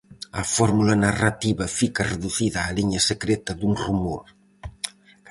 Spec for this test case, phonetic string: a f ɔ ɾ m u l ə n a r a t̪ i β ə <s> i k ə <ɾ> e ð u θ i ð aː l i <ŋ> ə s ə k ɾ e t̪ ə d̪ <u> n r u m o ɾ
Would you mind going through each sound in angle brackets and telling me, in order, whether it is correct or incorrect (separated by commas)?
incorrect, incorrect, incorrect, correct